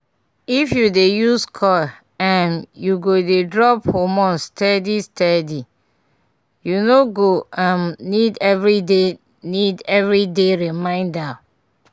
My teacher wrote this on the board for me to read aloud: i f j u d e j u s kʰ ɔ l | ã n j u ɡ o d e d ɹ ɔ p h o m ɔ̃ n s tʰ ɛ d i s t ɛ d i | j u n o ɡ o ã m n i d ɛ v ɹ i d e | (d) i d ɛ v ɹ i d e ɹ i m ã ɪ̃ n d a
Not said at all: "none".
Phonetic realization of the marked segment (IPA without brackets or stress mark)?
n